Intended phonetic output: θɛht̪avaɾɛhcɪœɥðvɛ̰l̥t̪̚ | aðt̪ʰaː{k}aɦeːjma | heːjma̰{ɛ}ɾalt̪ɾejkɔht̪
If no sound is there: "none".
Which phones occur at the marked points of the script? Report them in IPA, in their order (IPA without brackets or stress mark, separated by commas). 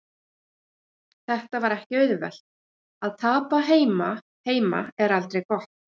p, ɛ